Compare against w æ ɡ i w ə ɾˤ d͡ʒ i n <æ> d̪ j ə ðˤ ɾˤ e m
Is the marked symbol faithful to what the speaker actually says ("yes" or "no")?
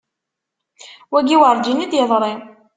no